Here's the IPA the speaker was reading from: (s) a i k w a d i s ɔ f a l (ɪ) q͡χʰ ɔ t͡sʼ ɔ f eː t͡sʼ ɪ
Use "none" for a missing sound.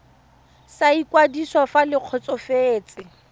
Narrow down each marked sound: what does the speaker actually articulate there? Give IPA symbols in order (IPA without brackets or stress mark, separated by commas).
s, ɪ